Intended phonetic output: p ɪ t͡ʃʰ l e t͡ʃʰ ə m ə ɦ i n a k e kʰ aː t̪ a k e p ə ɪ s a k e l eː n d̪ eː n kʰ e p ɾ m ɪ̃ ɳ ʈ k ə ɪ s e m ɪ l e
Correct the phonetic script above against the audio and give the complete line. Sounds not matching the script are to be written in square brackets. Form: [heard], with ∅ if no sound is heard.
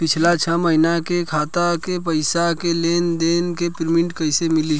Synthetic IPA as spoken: p ɪ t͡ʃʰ l [a] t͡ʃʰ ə m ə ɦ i n a k e kʰ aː t̪ a k e p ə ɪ s a k e l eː n d̪ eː n [k] e p ɾ m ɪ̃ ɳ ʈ k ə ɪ s e m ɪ l [i]